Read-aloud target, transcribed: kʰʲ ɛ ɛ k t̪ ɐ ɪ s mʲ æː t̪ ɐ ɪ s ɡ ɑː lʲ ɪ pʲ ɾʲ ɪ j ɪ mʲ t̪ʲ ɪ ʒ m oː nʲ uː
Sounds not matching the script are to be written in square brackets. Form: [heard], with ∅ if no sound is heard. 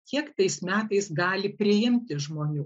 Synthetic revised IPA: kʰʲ [i] ɛ k t̪ ɐ ɪ s mʲ æː t̪ ɐ ɪ s ɡ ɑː lʲ ɪ pʲ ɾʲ ɪ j ɪ mʲ t̪ʲ ɪ ʒ m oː nʲ uː

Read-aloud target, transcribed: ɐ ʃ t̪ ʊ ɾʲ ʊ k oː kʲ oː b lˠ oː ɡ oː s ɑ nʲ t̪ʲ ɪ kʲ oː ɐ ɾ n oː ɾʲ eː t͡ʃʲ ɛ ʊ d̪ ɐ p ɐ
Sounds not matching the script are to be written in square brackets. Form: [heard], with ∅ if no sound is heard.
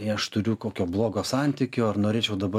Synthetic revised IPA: ɐ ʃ t̪ ʊ ɾʲ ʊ k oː kʲ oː b lˠ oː ɡ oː s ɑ nʲ t̪ʲ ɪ kʲ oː ɐ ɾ n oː ɾʲ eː t͡ʃʲ ɛ ʊ d̪ ɐ [b] ɐ

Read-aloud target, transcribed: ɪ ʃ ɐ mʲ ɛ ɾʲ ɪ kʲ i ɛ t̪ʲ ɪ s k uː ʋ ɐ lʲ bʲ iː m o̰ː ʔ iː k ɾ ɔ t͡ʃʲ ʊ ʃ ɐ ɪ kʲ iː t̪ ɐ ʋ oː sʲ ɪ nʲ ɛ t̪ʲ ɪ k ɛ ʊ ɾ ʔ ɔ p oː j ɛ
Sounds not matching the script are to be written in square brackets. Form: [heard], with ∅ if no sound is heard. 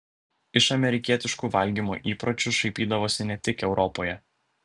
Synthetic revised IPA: ɪ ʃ ɐ mʲ ɛ ɾʲ ɪ kʲ i ɛ t̪ʲ ɪ [ʃ] k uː ʋ ɐ lʲ [ɡʲ] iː m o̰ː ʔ iː [p] ɾ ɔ t͡ʃʲ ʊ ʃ ɐ ɪ [pʲ] iː [d̪] ɐ ʋ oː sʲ ɪ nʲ ɛ t̪ʲ ɪ k ɛ ʊ ɾ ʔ ɔ p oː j ɛ

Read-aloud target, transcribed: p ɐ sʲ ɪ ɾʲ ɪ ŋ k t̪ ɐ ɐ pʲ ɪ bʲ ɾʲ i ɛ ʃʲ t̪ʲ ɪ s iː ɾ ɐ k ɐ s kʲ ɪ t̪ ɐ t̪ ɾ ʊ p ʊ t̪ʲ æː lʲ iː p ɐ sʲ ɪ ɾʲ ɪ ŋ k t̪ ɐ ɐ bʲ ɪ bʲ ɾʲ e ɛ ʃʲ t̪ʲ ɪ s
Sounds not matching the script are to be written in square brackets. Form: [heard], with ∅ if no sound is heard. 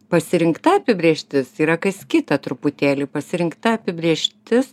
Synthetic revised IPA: p ɐ sʲ ɪ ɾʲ ɪ ŋ k t̪ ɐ ɐ pʲ ɪ bʲ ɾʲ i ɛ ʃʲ t̪ʲ ɪ s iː ɾ ɐ k ɐ s kʲ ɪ t̪ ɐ t̪ ɾ ʊ p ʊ t̪ʲ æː lʲ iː p ɐ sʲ ɪ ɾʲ ɪ ŋ k t̪ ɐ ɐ [pʲ] ɪ bʲ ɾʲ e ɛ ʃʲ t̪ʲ ɪ s

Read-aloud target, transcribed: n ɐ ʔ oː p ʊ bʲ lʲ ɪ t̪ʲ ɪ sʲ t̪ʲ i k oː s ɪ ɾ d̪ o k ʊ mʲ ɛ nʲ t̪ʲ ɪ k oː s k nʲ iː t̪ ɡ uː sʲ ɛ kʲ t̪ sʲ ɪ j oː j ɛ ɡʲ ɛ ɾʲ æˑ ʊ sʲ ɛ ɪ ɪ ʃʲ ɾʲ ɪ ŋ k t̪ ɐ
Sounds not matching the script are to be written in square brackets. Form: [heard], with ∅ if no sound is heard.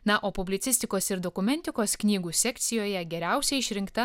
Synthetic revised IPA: n ɐ ʔ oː p ʊ bʲ lʲ ɪ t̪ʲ ɪ sʲ t̪ʲ [ɪ] k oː s ɪ ɾ d̪ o k ʊ mʲ ɛ nʲ t̪ʲ ɪ k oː s k nʲ iː [∅] ɡ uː sʲ ɛ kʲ t̪ sʲ ɪ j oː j ɛ ɡʲ ɛ ɾʲ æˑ ʊ sʲ ɛ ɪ ɪ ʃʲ ɾʲ ɪ ŋ k t̪ ɐ

